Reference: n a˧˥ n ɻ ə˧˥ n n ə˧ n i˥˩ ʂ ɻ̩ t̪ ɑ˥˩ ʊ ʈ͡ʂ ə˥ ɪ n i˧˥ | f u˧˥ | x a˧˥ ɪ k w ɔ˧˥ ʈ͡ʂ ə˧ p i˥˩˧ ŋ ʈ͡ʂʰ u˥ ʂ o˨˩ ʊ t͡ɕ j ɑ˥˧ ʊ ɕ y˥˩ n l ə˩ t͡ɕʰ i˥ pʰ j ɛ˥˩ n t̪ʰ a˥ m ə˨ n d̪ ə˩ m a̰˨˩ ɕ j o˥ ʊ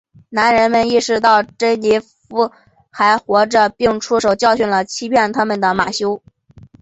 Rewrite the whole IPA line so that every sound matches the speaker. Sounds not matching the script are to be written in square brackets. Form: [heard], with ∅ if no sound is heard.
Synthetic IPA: n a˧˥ n ɻ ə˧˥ n [m] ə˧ n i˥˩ ʂ ɻ̩ t̪ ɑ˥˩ ʊ ʈ͡ʂ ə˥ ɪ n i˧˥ | f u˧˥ | x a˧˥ ɪ [x] w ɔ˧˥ ʈ͡ʂ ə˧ p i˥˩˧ ŋ ʈ͡ʂʰ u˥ ʂ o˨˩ ʊ t͡ɕ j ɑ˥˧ ʊ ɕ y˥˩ n l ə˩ t͡ɕʰ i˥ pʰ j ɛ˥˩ n t̪ʰ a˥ m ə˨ n d̪ ə˩ m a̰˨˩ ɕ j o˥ ʊ